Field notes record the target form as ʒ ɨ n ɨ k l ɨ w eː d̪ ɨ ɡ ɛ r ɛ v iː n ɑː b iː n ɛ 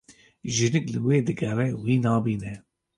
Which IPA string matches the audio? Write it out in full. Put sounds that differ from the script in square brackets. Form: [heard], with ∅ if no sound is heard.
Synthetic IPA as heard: ʒ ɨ n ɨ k l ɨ w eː d̪ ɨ ɡ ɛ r ɛ [w] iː n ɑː b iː n ɛ